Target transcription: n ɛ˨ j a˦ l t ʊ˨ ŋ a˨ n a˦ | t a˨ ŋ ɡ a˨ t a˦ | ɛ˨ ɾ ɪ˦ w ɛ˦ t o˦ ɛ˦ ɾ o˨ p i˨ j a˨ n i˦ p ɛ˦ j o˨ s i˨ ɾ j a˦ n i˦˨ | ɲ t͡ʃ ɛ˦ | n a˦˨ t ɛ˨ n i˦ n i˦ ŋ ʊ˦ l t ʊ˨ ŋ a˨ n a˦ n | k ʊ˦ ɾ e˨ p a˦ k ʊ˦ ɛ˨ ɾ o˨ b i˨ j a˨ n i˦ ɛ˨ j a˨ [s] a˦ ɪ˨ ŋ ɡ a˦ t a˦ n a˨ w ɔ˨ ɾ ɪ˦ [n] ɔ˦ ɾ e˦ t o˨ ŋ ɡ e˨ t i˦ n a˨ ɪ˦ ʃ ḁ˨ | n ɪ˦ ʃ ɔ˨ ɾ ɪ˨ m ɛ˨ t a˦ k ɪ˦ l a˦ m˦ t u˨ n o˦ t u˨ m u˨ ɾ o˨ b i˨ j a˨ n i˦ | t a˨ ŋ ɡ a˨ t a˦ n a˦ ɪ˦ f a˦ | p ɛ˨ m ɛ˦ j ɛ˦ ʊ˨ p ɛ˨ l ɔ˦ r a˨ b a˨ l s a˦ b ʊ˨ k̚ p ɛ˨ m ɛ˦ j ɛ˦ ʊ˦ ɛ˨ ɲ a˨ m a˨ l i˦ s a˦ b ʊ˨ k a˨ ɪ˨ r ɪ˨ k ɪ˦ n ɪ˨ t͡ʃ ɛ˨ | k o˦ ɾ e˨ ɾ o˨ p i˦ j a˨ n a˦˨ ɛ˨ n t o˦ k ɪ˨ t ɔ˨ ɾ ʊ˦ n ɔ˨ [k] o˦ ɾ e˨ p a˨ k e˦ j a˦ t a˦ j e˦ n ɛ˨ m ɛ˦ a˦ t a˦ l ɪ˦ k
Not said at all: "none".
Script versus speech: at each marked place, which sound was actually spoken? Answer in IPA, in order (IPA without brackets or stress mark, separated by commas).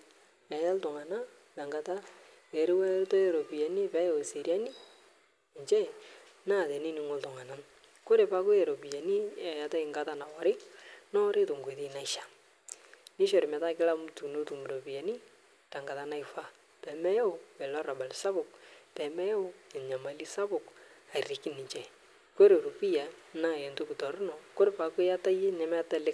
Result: t, n, k